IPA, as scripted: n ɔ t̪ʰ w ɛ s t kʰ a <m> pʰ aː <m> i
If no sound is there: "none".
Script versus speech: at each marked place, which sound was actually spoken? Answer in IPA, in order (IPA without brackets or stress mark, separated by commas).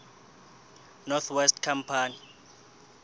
m, n